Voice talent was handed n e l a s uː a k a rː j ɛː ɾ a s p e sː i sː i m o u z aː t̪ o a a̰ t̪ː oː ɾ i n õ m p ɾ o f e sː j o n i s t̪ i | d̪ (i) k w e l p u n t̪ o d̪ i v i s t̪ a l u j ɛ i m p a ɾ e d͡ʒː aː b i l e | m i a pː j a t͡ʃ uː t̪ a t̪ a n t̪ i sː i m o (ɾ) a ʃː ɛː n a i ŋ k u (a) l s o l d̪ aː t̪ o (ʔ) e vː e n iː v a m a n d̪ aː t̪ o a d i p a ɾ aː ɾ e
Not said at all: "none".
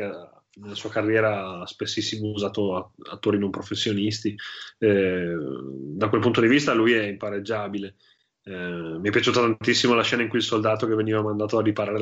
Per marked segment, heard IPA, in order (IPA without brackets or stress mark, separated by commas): a, l, i, k